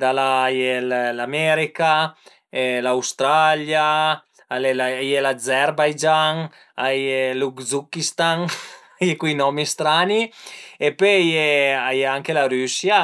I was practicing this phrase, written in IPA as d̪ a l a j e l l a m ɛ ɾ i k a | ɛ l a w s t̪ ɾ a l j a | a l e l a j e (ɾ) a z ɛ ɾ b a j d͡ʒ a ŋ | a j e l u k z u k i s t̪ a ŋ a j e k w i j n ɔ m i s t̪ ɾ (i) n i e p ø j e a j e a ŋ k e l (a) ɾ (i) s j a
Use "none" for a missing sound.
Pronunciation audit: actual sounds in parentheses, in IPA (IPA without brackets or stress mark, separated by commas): l, a, a, y